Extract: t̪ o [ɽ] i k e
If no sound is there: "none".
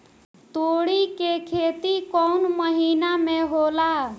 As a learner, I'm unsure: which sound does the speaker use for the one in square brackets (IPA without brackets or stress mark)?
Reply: ɽ